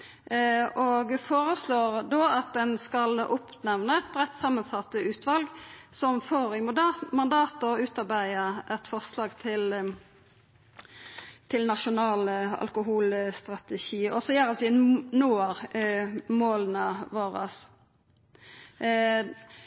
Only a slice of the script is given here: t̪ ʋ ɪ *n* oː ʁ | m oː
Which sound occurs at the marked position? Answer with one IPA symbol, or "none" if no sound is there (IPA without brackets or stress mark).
n